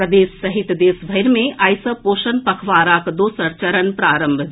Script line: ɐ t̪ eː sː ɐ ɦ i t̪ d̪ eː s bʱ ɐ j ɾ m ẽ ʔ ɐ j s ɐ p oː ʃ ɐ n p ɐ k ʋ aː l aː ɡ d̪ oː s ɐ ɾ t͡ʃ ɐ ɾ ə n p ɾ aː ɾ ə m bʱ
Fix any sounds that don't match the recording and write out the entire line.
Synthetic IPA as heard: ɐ d̪ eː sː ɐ ɦ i t̪ d̪ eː s bʱ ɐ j ɾ m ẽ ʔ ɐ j s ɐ p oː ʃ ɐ n p ɐ kʰ ʋ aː ɾ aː k d̪ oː s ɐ ɾ t͡ʃ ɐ ɾ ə n p ɾ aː ɾ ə m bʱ